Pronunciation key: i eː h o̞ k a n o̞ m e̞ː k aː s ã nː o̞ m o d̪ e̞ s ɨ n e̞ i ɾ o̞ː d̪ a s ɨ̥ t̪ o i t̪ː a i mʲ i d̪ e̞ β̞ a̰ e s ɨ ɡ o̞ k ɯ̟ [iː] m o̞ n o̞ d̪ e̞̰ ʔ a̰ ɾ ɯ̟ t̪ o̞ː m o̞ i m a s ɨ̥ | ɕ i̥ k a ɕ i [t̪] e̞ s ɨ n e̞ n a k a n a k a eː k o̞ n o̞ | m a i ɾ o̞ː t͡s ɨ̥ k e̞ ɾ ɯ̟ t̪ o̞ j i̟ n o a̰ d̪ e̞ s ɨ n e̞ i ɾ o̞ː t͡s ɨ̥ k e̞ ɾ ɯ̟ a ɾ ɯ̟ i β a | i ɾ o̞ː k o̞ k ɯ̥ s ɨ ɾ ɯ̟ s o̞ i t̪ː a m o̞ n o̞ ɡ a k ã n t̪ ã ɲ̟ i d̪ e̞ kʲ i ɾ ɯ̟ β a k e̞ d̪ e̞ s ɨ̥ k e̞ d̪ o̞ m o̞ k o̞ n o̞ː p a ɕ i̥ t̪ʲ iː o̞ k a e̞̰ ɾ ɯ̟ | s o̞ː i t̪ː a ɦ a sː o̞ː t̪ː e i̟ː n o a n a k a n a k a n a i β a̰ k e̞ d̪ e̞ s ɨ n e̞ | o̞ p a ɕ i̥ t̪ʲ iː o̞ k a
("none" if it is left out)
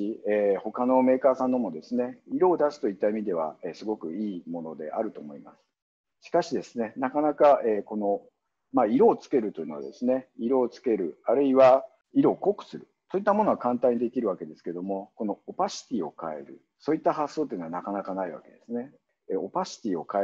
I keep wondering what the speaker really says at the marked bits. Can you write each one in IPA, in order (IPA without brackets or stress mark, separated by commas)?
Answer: iː, d̪